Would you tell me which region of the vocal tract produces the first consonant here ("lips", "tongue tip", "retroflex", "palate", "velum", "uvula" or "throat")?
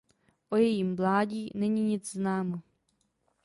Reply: throat